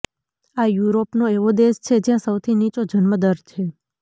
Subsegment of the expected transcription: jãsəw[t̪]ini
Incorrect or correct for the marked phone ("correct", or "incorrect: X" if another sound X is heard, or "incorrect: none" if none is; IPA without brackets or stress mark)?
incorrect: t̪ʰ